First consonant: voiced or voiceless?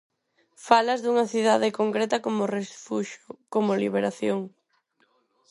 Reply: voiceless